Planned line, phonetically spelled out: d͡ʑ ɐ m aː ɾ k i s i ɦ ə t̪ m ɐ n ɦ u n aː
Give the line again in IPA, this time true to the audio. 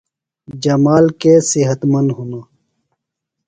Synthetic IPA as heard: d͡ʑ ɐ m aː l k e s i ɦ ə t̪ m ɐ n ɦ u n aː